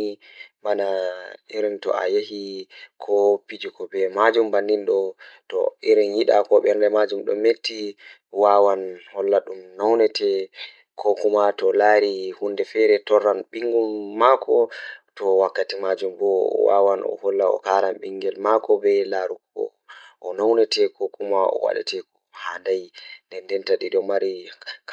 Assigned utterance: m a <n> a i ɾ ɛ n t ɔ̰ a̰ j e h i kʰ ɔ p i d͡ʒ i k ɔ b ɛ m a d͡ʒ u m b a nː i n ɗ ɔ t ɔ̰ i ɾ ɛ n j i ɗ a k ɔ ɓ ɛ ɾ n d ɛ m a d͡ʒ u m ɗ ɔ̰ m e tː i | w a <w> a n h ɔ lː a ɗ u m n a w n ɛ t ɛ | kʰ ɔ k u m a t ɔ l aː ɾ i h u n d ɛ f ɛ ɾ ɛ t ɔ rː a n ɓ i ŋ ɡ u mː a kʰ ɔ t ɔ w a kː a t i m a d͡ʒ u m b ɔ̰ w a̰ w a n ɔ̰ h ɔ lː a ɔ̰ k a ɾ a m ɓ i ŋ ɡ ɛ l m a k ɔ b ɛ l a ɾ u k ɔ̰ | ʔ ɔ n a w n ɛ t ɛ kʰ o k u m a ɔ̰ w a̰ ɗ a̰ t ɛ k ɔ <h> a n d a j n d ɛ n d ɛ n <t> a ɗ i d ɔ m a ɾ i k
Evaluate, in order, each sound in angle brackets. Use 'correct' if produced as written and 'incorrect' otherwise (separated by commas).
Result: correct, correct, correct, correct